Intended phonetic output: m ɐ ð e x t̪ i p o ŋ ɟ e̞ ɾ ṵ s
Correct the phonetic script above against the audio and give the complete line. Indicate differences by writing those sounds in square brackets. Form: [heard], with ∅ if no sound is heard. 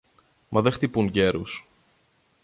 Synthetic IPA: m ɐ ð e x t̪ i p [u] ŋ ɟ e̞ ɾ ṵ s